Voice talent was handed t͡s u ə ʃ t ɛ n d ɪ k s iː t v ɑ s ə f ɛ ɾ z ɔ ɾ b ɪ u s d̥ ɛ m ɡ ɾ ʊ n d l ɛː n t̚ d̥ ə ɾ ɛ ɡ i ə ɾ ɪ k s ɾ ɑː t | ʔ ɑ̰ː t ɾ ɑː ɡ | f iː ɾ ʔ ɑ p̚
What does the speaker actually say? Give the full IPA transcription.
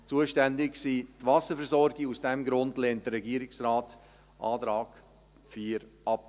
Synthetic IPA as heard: t͡s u ə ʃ t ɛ n d ɪ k s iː t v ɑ s ə f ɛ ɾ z ɔ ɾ ɡ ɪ u s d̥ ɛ m ɡ ɾ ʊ n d l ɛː n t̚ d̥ ə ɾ ɛ ɡ i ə ɾ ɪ k s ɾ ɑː t | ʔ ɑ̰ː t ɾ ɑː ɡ | f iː ɾ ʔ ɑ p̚